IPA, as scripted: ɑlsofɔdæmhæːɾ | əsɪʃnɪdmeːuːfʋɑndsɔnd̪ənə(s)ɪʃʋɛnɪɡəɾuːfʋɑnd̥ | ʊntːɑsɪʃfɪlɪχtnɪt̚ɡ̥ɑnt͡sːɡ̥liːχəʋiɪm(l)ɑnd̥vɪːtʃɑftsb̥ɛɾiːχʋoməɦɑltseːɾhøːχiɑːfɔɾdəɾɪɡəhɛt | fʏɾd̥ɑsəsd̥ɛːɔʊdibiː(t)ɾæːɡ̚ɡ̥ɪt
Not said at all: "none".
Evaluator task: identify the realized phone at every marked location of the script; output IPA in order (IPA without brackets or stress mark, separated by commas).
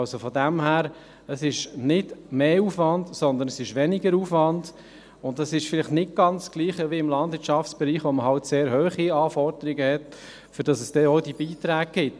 s, l, t